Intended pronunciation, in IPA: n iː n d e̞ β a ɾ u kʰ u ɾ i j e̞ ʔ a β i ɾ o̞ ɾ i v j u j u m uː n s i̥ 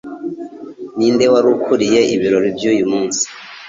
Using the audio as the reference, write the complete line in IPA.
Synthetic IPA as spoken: n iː n d e̞ w a ɾ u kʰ u ɾ i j e̞ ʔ i β i ɾ o̞ ɾ i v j u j u m uː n s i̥